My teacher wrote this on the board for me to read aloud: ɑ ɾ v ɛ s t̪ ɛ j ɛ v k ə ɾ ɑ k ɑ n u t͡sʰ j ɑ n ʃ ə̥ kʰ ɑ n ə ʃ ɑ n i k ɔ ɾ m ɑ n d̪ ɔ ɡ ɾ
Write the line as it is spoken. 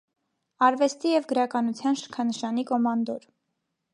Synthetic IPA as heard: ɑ ɾ v ɛ s t̪ i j ɛ v ɡ ə ɾ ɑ k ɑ n u t͡sʰ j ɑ n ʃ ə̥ kʰ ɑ n ə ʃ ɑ n i k ɔ m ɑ n d̪ ɔ ɾ